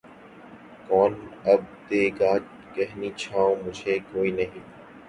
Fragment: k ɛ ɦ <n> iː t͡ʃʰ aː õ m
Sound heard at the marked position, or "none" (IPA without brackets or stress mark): n